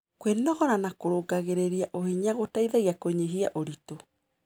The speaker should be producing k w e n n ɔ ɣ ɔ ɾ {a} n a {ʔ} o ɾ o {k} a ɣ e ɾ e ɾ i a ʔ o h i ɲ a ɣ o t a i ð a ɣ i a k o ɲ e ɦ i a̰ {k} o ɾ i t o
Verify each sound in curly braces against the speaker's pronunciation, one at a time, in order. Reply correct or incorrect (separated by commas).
correct, incorrect, incorrect, incorrect